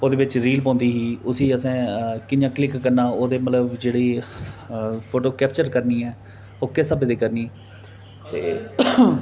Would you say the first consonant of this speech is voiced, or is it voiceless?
voiced